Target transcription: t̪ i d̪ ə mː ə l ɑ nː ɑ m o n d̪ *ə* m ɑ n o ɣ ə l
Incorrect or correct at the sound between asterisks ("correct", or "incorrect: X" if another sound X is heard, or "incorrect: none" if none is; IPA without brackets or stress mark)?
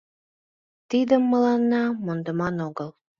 correct